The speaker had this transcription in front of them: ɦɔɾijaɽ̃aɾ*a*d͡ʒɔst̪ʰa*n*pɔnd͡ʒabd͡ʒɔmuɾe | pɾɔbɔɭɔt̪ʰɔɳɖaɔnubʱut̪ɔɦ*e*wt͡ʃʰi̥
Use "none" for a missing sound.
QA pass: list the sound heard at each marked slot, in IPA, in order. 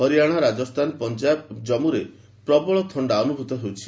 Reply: a, n, e

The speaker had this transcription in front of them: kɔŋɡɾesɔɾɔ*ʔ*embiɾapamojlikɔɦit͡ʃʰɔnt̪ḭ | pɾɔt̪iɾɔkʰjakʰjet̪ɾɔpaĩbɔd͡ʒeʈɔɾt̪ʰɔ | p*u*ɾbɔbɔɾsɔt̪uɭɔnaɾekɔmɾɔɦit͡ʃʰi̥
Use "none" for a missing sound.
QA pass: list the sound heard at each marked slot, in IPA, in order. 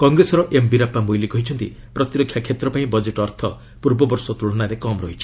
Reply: ʔ, u

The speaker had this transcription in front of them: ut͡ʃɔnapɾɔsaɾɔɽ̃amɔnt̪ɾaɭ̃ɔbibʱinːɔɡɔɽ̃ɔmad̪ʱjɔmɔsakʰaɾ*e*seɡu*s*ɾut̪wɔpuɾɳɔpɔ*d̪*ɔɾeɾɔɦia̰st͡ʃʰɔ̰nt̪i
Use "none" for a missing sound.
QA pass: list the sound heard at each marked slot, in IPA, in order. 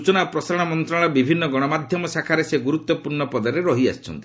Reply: e, none, d̪

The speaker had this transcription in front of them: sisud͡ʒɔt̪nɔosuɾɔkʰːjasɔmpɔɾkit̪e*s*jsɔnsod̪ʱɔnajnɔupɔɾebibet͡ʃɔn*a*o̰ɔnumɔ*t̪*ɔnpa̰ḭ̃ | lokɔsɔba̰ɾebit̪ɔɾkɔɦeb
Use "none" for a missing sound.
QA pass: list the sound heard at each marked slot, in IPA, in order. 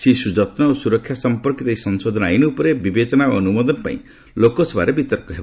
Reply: none, a, d̪

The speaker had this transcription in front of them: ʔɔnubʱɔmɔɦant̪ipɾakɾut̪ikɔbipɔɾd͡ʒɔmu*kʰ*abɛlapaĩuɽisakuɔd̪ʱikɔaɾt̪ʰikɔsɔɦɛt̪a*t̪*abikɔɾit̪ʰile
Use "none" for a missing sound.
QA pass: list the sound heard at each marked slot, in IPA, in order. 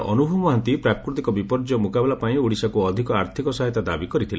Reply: k, d̪

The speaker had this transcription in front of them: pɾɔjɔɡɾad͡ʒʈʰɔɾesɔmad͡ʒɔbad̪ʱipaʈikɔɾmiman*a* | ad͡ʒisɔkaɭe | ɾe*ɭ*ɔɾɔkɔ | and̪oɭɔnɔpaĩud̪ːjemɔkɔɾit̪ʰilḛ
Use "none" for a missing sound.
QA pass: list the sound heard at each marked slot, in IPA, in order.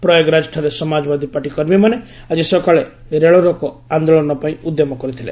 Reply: e, ɭ

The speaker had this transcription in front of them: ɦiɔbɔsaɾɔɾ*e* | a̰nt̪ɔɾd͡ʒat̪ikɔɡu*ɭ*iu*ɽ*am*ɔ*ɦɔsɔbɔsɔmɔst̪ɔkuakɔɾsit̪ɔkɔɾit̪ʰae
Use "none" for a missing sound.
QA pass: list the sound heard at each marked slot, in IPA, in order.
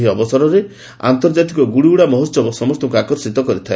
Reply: e, ɽ, ɽ, ɔ

